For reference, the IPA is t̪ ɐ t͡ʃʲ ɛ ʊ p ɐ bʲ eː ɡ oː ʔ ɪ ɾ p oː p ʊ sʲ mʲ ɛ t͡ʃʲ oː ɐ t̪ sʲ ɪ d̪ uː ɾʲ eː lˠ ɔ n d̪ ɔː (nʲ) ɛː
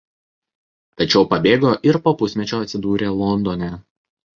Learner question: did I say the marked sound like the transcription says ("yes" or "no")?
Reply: yes